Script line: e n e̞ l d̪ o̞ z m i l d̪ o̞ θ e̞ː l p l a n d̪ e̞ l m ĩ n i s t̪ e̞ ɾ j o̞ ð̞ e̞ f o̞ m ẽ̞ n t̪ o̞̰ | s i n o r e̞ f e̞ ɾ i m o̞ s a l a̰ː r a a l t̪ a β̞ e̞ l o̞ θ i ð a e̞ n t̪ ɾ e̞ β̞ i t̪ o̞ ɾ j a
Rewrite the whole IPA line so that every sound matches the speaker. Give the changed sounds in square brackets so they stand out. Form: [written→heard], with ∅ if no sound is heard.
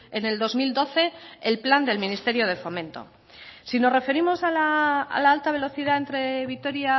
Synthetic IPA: e n e̞ l d̪ o̞ z m i l d̪ o̞ θ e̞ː l p l a n d̪ e̞ l m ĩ n i s t̪ e̞ ɾ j o̞ ð̞ e̞ f o̞ m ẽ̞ n t̪ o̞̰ | s i n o r e̞ f e̞ ɾ i m o̞ s a l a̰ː [r→l] a a l t̪ a β̞ e̞ l o̞ θ i ð a e̞ n t̪ ɾ e̞ β̞ i t̪ o̞ ɾ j a